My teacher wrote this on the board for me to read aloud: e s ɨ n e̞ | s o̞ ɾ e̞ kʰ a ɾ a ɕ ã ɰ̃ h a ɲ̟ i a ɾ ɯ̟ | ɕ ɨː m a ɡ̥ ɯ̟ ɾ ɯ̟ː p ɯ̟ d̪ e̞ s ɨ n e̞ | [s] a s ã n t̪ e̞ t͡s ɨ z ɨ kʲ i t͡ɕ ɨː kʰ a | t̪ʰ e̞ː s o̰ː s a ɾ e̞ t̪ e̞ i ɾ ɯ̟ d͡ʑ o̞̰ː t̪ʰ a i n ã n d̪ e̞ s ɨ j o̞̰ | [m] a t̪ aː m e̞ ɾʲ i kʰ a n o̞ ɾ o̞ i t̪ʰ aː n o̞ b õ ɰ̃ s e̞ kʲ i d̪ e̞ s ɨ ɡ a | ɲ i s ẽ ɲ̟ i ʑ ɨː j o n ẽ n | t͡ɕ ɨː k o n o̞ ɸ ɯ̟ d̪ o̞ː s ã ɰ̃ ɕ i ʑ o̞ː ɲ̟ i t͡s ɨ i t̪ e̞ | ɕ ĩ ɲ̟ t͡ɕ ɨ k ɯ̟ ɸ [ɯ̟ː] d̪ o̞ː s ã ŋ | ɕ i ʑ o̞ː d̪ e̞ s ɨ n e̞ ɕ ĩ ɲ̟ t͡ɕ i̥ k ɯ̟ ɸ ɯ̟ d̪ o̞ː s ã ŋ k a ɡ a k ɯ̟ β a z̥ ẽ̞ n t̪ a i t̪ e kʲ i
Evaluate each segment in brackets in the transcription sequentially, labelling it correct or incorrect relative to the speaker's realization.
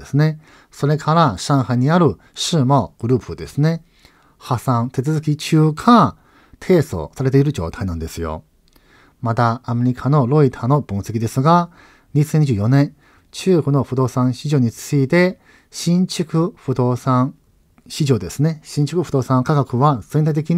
incorrect: h, correct, incorrect: ɯ̟

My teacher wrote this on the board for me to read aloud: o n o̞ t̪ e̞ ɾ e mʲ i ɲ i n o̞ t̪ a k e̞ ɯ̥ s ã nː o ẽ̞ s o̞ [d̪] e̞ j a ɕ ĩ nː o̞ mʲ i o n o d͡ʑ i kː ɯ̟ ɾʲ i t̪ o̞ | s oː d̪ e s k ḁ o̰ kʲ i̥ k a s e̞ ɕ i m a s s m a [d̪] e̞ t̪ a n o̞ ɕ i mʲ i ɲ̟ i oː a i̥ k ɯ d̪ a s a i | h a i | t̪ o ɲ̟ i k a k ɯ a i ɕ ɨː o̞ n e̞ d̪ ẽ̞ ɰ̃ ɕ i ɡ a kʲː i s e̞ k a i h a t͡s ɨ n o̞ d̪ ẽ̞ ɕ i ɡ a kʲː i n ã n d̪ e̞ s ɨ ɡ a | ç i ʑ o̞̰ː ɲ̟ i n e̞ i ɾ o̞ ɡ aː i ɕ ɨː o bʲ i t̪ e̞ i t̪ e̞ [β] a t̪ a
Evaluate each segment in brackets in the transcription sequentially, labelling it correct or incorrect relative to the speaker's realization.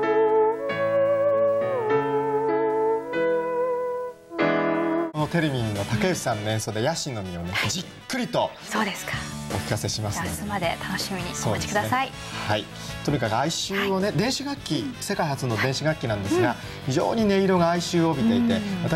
correct, correct, correct

